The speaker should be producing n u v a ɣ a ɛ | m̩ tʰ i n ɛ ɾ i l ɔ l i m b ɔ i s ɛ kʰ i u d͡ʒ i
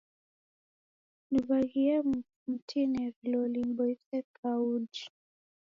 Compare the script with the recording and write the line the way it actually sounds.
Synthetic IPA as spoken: n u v a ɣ i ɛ | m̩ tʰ i n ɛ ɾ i l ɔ l i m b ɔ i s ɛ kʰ a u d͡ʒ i